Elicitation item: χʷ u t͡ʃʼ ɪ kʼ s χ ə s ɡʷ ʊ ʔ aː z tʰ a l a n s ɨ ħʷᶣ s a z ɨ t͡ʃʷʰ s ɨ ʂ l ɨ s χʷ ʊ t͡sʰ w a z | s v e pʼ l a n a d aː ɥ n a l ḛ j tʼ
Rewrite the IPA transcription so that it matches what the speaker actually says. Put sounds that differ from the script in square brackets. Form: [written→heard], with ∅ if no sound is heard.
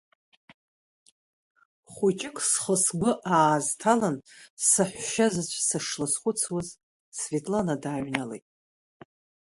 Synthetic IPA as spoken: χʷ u t͡ʃʼ ɪ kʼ s χ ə s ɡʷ ʊ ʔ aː z tʰ a l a n s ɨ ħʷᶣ [s→ʃ] a z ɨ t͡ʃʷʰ s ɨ ʂ l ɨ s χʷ ʊ t͡sʰ w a z | s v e [pʼ→tʼ] l a n a d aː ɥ n a l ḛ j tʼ

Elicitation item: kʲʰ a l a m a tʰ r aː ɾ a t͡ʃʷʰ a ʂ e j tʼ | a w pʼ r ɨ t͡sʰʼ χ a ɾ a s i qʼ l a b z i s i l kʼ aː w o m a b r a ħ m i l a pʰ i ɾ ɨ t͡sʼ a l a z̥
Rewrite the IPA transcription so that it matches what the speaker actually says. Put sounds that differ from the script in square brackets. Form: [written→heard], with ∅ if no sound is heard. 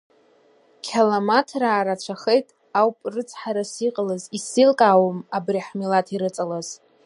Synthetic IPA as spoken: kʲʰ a l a m a tʰ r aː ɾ a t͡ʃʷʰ a [ʂ→χ] e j tʼ | a w pʼ r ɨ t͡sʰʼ [χ→ħ] a ɾ a s i qʼ l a [b→∅] z i s i l kʼ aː w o m a b r [a→i] ħ m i l a [pʰ→tʰ] i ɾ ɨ t͡sʼ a l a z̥

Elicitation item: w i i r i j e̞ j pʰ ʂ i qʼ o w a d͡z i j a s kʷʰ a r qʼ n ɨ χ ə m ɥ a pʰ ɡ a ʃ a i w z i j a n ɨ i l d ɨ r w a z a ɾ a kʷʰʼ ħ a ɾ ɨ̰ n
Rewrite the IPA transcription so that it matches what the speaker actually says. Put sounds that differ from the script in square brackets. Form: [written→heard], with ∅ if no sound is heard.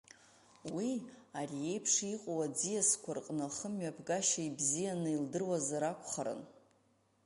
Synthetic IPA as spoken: w i [i→a] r i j e̞ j pʰ ʂ i qʼ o w a d͡z i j a s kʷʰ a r qʼ n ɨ χ ə m ɥ a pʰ ɡ a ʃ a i [w→b] z i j a n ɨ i l d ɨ r w a z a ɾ a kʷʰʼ [ħ→χ] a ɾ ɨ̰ n

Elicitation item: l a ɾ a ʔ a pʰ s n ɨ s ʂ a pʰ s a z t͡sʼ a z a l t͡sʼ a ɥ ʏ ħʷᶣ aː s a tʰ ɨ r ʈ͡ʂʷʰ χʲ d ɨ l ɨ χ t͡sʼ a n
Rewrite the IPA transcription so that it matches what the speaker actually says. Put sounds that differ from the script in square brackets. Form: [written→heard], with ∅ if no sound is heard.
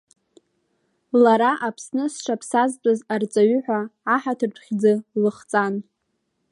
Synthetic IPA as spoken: l a ɾ a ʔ a pʰ s n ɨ s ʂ a pʰ s a z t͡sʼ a z a [l→r] t͡sʼ a ɥ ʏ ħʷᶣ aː [s→ħ] a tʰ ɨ r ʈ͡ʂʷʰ χʲ [d→d͡z] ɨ l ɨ χ t͡sʼ a n

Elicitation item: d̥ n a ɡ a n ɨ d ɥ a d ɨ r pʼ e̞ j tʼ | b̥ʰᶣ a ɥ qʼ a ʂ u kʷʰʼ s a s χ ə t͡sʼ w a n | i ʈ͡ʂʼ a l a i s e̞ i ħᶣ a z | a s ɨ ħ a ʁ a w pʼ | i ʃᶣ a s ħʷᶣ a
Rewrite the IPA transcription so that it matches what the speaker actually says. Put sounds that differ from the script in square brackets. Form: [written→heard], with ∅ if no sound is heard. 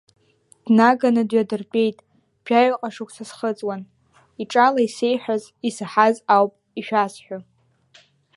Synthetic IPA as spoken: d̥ n a ɡ a n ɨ d ɥ a d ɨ r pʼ e̞ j tʼ | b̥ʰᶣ a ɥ qʼ a ʂ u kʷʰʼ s a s χ ə t͡sʼ w a n | i ʈ͡ʂʼ a l a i s e̞ [i→j] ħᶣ a z | [a→i] s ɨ ħ a [ʁ→z] a w pʼ | i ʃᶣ a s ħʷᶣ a

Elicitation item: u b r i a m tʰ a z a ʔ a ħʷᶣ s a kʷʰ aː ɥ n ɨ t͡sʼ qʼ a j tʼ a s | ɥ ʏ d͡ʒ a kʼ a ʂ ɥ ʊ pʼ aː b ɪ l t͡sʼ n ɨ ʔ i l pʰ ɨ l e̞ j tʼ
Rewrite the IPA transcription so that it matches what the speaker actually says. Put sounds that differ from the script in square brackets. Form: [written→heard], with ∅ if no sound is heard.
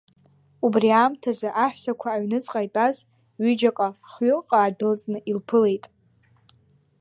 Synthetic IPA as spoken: u b r i a m tʰ a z a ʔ a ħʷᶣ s a kʷʰ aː ɥ n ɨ t͡sʼ qʼ a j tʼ a [s→z] | ɥ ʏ d͡ʒ a kʼ a [ʂ→χ] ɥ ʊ [pʼ→qʼ] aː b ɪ l t͡sʼ n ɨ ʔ i l pʰ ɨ l e̞ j tʼ

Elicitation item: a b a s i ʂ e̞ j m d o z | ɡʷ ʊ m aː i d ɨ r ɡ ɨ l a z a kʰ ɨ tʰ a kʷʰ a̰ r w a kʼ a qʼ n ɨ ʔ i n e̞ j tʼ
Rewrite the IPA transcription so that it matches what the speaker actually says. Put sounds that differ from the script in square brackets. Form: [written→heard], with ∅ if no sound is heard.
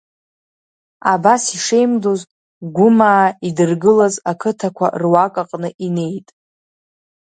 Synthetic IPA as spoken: a b a s i ʂ e̞ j m d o z | ɡʷ ʊ m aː i d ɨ r ɡ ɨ l a z a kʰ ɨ tʰ a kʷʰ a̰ r w a kʼ a qʼ n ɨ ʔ i n e̞ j tʼ

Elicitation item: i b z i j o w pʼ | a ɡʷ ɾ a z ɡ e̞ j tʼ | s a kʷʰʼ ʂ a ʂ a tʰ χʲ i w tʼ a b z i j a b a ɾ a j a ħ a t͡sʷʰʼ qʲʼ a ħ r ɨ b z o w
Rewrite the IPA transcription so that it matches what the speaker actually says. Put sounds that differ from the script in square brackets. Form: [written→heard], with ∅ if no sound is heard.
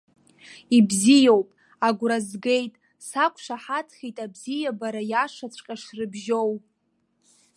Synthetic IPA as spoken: i b z i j o w pʼ | a ɡʷ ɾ a z ɡ e̞ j tʼ | s a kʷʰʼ ʂ a [ʂ→ħ] a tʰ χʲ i [w→∅] tʼ a b z i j a b a ɾ a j a [ħ→ʂ] a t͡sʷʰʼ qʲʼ a [ħ→ʂ] r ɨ b [z→ʒ] o w

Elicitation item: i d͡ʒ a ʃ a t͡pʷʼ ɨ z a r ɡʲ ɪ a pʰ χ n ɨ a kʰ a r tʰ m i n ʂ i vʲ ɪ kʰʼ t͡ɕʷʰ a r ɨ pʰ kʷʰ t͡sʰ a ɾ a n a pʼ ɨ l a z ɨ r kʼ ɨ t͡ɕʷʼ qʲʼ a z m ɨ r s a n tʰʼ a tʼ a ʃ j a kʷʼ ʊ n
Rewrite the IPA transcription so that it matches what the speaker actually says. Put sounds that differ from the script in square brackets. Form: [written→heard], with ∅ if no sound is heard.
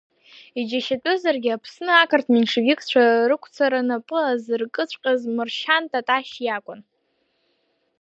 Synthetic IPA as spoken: i d͡ʒ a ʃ a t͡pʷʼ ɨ z a r ɡʲ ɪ a pʰ [χ→s] n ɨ a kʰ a r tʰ m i n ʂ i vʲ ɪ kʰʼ t͡ɕʷʰ a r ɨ [pʰ→∅] kʷʰ t͡sʰ a ɾ a n a pʼ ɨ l a z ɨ r kʼ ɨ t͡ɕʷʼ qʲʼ a z m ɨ r [s→ʃ] a n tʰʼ a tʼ a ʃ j a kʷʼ ʊ n

